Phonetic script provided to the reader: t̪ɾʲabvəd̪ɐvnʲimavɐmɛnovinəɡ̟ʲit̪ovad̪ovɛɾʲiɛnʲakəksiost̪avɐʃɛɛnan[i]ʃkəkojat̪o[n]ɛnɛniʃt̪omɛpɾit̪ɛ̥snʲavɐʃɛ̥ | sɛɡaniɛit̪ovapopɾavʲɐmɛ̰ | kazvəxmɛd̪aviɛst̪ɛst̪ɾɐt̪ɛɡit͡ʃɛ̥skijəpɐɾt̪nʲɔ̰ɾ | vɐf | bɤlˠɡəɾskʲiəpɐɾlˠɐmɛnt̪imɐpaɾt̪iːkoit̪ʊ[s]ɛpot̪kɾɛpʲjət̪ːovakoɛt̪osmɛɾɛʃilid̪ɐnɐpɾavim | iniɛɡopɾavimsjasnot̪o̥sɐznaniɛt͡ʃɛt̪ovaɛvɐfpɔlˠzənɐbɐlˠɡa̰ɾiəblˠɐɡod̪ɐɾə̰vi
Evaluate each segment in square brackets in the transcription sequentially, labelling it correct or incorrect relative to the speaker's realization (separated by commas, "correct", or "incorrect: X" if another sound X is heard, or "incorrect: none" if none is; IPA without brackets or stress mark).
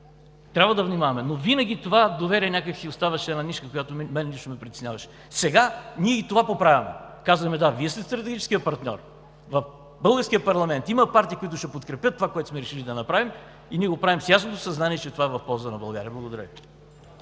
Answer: correct, incorrect: m, incorrect: ʃ